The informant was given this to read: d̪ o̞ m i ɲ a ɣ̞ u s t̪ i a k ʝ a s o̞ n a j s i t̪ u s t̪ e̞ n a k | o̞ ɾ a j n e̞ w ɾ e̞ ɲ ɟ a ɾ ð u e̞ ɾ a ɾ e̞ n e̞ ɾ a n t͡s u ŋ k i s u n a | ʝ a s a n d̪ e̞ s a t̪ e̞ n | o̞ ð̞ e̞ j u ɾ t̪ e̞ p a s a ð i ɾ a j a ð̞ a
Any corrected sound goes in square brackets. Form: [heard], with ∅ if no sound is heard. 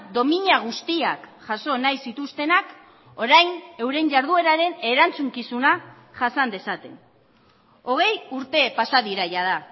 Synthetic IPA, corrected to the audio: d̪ o̞ m i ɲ a ɣ̞ u s t̪ i a k ʝ a s o̞ n a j s i t̪ u s t̪ e̞ n a k | o̞ ɾ a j n e̞ w ɾ e̞ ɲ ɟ a ɾ ð u e̞ ɾ a ɾ e̞ n e̞ ɾ a n t͡s u ŋ k i s u n a | ʝ a s a n d̪ e̞ s a t̪ e̞ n | o̞ [ɣ̞] e̞ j u ɾ t̪ e̞ p a s a ð i ɾ a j a ð̞ a